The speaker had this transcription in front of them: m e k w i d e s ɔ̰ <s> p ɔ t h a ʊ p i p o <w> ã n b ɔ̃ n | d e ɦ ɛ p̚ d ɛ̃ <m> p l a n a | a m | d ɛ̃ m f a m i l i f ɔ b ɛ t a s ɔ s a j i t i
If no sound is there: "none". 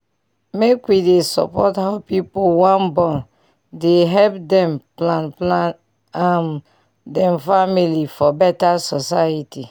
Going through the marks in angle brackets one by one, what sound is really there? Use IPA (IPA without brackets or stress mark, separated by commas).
none, w, m